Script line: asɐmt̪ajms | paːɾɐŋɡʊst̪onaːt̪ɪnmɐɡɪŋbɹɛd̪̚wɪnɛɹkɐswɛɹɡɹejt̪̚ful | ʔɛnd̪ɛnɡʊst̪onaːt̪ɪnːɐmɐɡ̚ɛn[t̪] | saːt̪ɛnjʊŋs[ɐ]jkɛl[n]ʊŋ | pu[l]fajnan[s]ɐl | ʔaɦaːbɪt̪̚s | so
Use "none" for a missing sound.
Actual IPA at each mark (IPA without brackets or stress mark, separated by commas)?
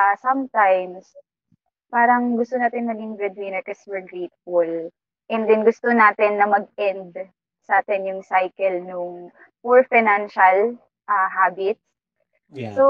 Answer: d̪, a, n, ɹ, ʃ